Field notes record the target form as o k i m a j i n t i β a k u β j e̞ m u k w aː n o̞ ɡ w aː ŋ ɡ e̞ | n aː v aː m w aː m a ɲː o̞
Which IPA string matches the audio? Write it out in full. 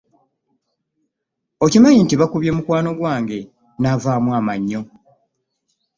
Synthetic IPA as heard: o c i m a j i n t i β a k u β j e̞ m u k w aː n o̞ ɡ w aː ŋ ɡ e̞ | n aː v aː m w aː m a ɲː o̞